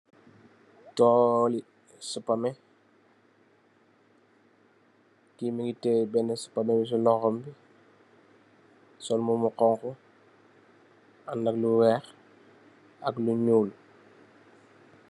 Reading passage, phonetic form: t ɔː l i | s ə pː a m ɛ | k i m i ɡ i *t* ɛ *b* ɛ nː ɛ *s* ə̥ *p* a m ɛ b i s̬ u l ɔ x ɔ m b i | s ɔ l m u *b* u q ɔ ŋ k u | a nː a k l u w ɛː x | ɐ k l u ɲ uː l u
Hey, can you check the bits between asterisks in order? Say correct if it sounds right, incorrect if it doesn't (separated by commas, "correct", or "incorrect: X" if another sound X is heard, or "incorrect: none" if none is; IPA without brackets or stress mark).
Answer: correct, correct, correct, correct, incorrect: m